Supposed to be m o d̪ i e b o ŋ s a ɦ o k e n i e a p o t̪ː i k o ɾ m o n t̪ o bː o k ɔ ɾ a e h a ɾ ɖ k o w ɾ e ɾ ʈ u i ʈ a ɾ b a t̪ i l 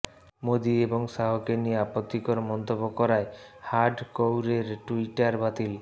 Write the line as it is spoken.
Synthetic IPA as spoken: m o d̪ i e b o ŋ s a ɦ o k e n i e a p o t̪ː i k o ɾ m ɔ n t̪ o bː o k ɔ ɾ a e h a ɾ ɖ k o w ɾ e ɾ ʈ u i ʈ a ɾ b a t̪ i l